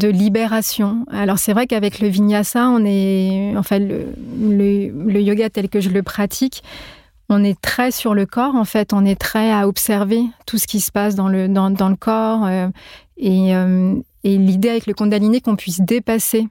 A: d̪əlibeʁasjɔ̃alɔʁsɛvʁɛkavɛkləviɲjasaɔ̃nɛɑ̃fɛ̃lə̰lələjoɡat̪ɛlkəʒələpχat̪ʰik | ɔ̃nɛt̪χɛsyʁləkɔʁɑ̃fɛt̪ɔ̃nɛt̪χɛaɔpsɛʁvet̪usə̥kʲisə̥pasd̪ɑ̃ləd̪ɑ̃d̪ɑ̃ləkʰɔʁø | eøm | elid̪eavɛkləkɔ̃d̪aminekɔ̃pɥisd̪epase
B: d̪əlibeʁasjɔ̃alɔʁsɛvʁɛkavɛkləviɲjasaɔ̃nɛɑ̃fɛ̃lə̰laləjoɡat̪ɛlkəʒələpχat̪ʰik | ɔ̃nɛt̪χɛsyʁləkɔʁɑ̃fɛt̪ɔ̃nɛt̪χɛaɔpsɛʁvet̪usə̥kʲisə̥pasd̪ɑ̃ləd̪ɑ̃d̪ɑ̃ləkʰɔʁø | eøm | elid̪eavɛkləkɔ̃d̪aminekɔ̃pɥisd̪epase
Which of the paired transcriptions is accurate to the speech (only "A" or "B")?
A